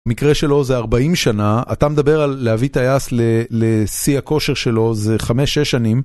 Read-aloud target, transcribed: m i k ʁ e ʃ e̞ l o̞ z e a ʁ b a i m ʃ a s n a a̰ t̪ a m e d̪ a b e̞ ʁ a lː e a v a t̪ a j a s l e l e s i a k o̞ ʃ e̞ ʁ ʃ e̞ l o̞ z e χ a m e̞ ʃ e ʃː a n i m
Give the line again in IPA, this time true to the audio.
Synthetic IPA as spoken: m i k ʁ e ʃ e̞ l o̞ z e a ʁ b a i m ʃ a n a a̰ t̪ a m e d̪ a b e̞ ʁ a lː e a v i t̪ a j a s l e l e s i a k o̞ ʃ e̞ ʁ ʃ e̞ l o̞ z e χ a m e̞ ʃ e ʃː a n i m